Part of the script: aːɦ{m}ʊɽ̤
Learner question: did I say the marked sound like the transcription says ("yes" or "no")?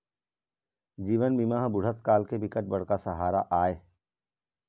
no